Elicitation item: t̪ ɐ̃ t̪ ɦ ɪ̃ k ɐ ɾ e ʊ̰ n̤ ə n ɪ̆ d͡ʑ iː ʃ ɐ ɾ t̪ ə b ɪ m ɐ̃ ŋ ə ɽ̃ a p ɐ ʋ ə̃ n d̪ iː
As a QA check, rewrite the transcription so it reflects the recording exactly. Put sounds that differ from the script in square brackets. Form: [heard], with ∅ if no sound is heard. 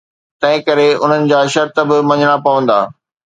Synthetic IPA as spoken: t̪ ɐ̃ [∅] ɦ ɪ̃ k ɐ ɾ e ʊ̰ n̤ ə n ɪ̆ d͡ʑ [aː] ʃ ɐ ɾ t̪ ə b ɪ m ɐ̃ [ɲ] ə ɽ̃ a p ɐ ʋ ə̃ n d̪ [aː]